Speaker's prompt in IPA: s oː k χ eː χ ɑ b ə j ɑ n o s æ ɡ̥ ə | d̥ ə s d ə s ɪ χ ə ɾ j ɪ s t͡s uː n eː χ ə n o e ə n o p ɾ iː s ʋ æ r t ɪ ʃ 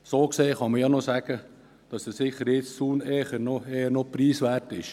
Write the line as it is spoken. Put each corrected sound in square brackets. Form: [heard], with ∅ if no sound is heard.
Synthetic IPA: s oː k [s] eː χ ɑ [m] ə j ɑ n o s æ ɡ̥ ə | d̥ [ɑ] s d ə s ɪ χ ə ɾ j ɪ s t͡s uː n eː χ ə n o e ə n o p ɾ iː s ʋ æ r t ɪ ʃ